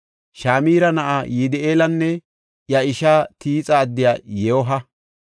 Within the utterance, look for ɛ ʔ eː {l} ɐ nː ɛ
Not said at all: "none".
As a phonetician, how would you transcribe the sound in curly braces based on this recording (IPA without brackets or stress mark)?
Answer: l